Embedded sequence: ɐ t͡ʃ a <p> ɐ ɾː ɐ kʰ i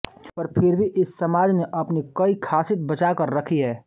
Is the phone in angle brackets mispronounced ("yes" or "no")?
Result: yes